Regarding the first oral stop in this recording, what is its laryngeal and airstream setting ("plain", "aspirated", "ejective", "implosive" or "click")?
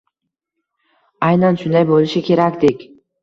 plain